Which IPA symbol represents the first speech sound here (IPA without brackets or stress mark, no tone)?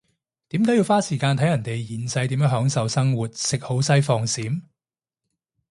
t̪